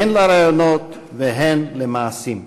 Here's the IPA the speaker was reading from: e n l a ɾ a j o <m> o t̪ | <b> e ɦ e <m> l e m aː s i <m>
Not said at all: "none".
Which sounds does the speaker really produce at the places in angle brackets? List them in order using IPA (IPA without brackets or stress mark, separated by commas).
n, v, n, m